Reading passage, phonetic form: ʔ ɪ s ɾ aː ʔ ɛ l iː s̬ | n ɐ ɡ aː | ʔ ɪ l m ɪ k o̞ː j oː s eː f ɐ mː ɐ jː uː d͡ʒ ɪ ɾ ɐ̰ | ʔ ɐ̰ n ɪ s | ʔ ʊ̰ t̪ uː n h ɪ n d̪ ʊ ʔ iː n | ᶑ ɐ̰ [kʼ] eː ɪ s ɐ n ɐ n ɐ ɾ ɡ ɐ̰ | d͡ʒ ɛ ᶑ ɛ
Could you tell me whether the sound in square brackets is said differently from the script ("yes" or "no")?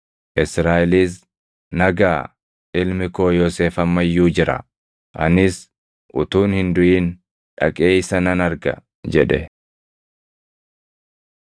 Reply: no